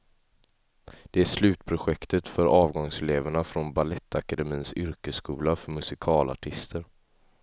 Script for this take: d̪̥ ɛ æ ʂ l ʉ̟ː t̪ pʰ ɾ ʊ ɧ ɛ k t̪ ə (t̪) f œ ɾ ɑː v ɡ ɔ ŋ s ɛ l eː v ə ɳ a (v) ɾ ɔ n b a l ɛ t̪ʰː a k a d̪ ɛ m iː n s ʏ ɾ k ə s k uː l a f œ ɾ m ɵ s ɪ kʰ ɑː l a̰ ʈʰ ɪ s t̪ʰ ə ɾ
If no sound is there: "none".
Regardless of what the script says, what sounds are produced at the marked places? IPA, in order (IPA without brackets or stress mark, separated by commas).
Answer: t̪, f